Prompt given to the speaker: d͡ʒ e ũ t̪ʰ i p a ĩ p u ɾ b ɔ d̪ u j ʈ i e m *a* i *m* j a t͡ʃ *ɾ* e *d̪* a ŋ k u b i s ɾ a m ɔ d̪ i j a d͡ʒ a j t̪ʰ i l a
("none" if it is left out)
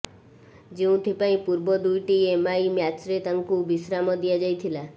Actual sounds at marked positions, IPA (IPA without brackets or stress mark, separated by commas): a, m, ɾ, t̪